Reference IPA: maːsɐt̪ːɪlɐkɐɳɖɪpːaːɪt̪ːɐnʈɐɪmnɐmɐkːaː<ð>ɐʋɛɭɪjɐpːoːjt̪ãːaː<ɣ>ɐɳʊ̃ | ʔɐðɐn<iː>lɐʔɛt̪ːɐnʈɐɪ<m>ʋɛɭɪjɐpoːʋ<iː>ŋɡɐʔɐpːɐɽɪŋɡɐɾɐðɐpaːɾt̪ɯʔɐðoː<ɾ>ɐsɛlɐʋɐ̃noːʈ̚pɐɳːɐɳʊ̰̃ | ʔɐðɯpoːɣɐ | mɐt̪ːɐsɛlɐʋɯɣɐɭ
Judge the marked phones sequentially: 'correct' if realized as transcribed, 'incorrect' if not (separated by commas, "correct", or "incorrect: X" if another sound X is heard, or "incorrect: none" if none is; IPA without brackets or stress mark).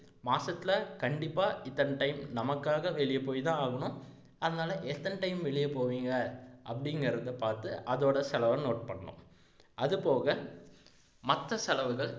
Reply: incorrect: ɣ, correct, incorrect: aː, correct, correct, incorrect: ɽ